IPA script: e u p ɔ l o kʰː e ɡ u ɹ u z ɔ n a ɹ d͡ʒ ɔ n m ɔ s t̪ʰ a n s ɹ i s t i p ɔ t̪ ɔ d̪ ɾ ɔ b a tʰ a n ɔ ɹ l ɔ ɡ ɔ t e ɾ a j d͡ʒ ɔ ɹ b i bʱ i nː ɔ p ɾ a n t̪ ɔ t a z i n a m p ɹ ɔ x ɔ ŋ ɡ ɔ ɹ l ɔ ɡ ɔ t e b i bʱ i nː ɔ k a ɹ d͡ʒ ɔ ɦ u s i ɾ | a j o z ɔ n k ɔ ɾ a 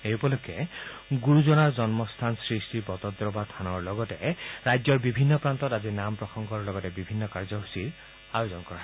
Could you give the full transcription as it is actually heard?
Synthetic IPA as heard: e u p ɔ l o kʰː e ɡ u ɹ u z ɔ n a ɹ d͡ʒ ɔ n m ɔ s t̪ʰ a n s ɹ i s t i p ɔ t̪ ɔ d̪ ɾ ɔ b a tʰ a n ɔ ɹ l ɔ ɡ ɔ t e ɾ a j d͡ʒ ɔ ɹ b i bʱ i nː ɔ p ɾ a n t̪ ɔ t a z i n a m p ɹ ɔ x ɔ ŋ ɡ ɔ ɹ l ɔ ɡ ɔ t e b i bʱ i nː ɔ k a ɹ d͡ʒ ɔ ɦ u s i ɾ | a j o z ɔ n k ɔ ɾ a